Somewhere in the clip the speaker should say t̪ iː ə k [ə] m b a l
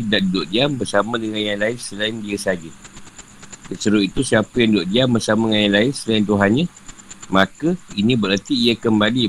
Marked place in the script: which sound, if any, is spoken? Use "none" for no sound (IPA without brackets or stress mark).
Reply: ə